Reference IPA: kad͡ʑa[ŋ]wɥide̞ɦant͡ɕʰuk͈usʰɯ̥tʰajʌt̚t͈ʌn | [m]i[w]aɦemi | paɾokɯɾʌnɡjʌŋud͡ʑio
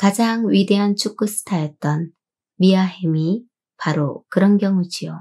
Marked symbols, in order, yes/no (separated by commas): yes, yes, no